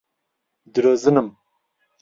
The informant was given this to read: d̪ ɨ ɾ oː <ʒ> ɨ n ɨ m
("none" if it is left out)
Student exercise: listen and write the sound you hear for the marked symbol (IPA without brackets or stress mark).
z